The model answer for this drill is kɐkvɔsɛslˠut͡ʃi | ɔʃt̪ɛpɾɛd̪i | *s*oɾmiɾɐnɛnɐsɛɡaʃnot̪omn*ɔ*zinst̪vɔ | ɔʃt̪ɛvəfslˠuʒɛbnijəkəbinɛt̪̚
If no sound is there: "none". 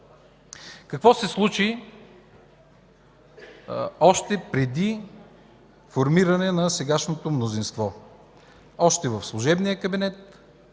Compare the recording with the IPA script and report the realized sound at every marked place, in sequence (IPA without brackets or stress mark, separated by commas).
f, o